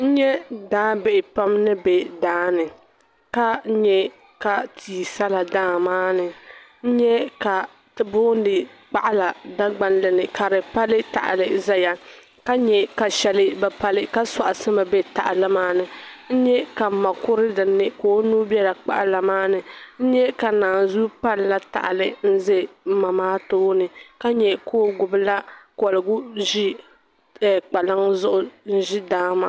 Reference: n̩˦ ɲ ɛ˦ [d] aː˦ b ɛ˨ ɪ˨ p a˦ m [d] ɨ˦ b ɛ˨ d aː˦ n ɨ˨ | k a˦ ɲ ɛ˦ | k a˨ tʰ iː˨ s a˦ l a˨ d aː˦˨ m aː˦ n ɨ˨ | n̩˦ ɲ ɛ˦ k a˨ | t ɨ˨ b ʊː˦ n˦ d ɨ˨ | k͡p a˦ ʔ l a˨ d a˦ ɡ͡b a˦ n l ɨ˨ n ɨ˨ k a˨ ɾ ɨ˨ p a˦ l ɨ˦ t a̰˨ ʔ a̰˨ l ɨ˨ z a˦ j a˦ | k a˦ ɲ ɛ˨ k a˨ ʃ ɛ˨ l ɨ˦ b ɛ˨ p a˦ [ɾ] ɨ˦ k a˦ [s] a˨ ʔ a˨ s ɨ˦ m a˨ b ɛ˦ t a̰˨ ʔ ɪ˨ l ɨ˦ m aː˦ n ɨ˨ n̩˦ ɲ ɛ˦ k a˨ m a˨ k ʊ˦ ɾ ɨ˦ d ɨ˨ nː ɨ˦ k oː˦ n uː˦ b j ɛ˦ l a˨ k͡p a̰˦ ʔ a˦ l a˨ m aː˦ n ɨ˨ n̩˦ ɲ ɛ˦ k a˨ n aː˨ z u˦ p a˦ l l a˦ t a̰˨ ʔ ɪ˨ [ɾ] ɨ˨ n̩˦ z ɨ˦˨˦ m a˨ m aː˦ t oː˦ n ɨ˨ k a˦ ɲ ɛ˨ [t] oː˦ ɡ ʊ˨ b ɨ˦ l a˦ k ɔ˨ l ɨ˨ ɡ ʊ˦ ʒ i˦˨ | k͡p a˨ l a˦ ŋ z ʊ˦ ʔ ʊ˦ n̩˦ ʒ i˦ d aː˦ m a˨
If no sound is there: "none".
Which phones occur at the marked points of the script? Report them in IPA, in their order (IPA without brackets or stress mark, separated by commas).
d, n, l, s, l, k